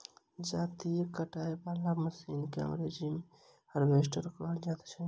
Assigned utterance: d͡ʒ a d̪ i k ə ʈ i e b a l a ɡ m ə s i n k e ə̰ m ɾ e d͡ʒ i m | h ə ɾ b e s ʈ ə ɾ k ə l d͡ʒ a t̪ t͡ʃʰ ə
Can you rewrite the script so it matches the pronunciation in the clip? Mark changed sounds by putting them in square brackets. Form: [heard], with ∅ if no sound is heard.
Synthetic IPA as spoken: d͡ʒ a [t̪] i k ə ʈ [a] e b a l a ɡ m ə s i n k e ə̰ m ɾ e d͡ʒ i m | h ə ɾ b e s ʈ ə ɾ k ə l d͡ʒ a t̪ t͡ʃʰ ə